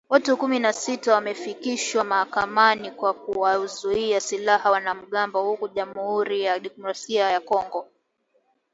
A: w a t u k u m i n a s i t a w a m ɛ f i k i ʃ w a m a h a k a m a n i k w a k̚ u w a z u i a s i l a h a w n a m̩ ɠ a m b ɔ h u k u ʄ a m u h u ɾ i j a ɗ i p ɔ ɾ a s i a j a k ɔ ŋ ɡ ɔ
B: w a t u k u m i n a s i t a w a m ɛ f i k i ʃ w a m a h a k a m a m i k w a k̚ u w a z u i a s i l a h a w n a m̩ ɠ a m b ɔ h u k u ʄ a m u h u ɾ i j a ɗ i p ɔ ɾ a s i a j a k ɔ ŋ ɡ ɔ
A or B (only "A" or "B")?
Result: A